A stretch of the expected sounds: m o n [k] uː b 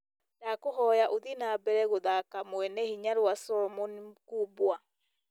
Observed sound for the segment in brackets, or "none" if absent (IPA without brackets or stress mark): k